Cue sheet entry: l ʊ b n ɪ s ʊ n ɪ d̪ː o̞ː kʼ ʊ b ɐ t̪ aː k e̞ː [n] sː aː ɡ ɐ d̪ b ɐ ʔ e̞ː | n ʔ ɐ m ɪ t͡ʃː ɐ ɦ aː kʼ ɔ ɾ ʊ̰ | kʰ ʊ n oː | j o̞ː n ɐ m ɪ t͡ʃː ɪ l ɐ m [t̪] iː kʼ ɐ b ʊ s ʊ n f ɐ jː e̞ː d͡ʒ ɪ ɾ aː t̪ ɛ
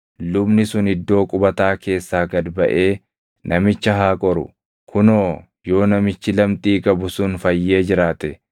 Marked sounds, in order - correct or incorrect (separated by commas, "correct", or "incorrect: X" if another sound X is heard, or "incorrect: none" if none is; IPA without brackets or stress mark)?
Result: incorrect: none, incorrect: t̪ʼ